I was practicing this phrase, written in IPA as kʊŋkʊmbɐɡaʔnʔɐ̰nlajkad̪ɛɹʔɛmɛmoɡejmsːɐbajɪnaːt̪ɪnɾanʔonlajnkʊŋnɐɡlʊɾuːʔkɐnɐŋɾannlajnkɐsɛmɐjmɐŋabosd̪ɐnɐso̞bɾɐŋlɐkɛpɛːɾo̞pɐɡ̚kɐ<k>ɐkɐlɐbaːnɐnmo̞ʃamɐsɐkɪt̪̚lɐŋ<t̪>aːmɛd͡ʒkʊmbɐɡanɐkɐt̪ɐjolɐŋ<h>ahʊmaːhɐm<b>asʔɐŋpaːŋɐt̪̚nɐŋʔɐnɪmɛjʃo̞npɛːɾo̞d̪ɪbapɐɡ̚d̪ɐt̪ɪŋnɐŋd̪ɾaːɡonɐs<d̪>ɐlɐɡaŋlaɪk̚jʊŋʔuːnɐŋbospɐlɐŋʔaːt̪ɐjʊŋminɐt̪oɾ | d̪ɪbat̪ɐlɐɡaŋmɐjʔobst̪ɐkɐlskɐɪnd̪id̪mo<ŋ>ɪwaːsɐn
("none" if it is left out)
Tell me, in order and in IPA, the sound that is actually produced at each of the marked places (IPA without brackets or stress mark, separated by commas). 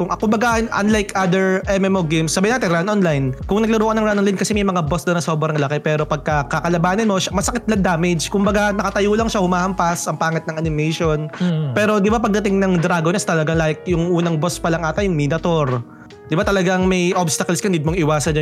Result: k, d̪, ʃ, p, t̪, ŋ